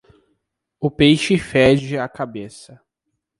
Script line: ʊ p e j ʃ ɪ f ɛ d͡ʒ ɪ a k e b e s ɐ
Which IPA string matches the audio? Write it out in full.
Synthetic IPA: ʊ p e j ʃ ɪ f ɛ d͡ʒ ɪ a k a b e s ɐ